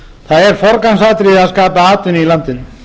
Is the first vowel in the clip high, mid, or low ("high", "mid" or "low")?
low